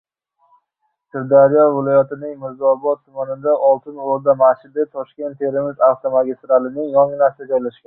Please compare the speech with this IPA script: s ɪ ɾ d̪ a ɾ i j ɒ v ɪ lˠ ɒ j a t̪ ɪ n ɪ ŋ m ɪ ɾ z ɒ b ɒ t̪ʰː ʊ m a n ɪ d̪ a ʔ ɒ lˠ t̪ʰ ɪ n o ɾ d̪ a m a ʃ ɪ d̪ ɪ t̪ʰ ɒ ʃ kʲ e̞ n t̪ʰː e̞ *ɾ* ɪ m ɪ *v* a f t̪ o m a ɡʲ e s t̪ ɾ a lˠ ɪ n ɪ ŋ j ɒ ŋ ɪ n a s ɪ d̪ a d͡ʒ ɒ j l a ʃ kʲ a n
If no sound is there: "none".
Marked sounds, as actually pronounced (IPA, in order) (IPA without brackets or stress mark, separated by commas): ɾ, z